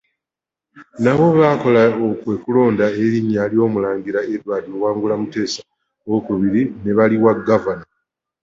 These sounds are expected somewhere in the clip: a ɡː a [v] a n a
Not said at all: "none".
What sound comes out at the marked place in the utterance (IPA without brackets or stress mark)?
v